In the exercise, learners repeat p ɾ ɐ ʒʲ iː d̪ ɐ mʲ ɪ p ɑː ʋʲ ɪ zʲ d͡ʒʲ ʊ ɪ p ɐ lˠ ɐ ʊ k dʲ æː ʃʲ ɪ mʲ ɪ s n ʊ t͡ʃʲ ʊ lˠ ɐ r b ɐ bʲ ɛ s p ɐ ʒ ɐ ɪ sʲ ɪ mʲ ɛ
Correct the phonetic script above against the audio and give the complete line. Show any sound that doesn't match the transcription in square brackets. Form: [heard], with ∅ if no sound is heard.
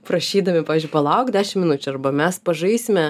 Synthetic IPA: p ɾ ɐ [ʃʲ] iː d̪ ɐ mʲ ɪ p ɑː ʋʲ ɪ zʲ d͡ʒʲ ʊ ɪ p ɐ lˠ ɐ ʊ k dʲ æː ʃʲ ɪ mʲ ɪ [∅] n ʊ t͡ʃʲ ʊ [∅] ɐ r b ɐ [mʲ] ɛ s p ɐ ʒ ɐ ɪ sʲ ɪ mʲ ɛ